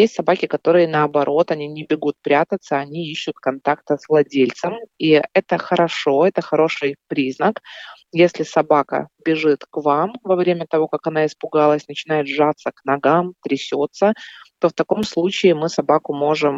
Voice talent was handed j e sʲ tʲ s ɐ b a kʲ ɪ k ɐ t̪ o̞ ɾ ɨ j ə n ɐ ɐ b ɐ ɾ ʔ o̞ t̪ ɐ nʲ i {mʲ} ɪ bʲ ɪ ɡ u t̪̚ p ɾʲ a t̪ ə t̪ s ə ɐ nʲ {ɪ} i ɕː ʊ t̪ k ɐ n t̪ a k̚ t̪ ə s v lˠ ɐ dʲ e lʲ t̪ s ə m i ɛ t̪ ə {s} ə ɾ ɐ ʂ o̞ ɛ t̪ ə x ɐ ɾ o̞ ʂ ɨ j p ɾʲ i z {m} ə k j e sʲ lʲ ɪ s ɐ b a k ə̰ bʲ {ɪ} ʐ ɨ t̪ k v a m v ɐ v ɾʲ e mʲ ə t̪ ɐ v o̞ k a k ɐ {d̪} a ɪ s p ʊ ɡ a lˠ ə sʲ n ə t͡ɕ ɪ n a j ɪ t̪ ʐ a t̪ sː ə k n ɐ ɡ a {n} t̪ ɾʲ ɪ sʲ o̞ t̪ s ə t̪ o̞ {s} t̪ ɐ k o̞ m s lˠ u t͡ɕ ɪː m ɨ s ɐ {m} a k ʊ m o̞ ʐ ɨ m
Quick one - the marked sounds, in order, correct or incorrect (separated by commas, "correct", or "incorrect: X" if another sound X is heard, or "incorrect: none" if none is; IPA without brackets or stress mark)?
incorrect: nʲ, incorrect: i, incorrect: x, incorrect: n, correct, incorrect: n̪, incorrect: m, incorrect: f, incorrect: b